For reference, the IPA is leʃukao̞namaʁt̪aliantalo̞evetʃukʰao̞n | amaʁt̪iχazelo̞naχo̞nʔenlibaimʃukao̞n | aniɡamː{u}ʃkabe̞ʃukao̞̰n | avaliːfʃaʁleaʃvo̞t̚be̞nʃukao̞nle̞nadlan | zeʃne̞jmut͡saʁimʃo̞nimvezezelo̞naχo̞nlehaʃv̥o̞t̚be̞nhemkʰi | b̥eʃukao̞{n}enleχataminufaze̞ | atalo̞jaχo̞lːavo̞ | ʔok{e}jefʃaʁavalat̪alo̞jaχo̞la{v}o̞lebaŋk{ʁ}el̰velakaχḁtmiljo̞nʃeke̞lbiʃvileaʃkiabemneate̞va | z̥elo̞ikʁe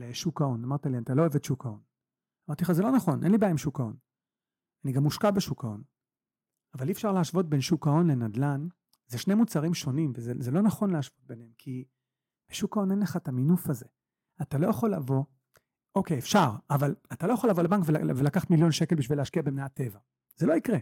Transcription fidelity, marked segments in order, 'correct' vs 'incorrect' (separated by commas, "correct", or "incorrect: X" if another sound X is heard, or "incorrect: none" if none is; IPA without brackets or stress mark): correct, correct, correct, correct, incorrect: v